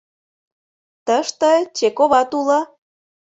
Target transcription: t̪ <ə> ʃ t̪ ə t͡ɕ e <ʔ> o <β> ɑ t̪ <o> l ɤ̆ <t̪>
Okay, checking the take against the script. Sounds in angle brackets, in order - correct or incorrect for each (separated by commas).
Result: correct, incorrect, correct, incorrect, incorrect